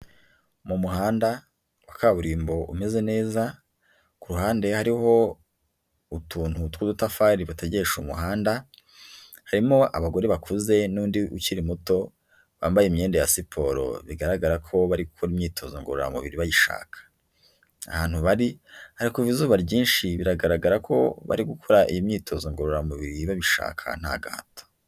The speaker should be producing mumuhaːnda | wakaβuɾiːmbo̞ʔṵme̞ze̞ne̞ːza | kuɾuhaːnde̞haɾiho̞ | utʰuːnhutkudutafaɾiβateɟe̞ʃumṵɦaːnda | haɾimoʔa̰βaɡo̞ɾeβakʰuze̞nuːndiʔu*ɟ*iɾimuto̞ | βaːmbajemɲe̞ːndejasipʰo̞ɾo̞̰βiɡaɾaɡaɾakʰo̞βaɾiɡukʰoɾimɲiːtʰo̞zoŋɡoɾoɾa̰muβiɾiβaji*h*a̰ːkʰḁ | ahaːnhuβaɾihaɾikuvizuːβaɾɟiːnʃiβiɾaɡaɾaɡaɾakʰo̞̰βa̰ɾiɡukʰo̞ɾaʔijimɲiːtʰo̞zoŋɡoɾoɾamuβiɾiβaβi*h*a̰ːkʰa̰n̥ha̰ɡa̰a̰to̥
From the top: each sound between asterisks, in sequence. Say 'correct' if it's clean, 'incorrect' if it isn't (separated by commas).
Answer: incorrect, incorrect, incorrect